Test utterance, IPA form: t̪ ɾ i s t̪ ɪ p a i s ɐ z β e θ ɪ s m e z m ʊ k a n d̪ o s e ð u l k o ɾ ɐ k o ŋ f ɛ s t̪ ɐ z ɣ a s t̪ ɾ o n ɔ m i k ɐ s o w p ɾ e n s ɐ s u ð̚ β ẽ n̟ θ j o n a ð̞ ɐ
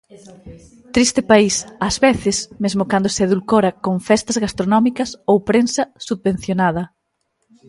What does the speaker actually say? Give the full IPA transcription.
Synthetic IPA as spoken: t̪ ɾ i s t̪ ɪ p a i s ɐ z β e θ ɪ s m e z m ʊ k a n d̪ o s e ð u l k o ɾ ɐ k o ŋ f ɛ s t̪ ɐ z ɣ a s t̪ ɾ o n ɔ m i k ɐ s o w p ɾ e n s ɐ s u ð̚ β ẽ n̟ θ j o n a ð̞ ɐ